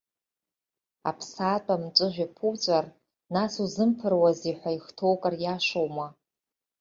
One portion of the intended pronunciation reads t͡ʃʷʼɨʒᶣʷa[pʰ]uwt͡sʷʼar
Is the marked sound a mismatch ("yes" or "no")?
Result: no